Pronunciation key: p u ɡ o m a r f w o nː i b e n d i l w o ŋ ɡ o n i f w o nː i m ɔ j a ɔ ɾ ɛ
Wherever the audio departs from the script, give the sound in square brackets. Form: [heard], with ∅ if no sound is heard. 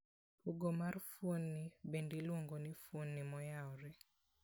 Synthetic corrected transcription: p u ɡ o m a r f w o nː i b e n d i l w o ŋ ɡ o n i f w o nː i m ɔ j a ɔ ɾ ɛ